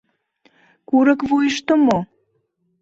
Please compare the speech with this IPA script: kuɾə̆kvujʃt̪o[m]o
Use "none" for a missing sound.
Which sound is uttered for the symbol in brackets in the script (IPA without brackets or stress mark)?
m